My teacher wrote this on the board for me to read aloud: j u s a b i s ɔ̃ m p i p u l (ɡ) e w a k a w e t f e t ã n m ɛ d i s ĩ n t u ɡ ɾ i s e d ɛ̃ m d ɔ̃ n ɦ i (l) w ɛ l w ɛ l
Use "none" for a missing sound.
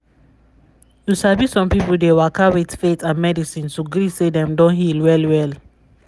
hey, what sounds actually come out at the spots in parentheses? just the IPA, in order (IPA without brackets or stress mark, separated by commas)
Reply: d, l